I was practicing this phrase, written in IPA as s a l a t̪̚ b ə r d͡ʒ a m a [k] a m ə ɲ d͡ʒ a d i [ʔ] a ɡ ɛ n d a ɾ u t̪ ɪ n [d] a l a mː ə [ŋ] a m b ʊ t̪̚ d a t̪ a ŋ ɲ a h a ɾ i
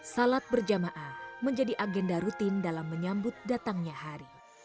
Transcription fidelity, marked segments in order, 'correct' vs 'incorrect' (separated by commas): incorrect, correct, correct, incorrect